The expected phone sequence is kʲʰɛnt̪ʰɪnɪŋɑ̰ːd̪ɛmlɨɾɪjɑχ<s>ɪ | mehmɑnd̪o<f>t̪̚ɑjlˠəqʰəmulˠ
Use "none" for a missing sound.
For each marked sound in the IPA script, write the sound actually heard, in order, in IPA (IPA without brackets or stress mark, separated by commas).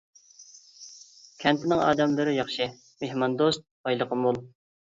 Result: ʃ, s